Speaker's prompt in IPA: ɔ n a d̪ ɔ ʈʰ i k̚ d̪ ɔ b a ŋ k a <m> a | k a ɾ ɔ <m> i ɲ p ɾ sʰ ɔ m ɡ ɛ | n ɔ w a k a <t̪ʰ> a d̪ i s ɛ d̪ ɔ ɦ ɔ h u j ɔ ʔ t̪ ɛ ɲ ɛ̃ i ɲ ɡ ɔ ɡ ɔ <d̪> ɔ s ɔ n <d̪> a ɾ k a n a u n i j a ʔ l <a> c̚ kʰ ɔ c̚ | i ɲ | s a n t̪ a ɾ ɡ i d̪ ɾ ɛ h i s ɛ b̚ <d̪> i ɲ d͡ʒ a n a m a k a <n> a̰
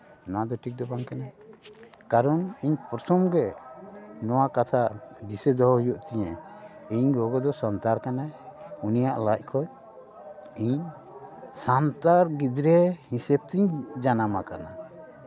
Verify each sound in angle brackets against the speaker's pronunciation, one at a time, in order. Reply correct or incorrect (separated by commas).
incorrect, incorrect, correct, correct, incorrect, correct, incorrect, correct